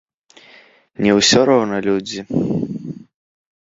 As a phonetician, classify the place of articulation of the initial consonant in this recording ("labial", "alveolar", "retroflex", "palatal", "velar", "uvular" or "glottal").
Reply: alveolar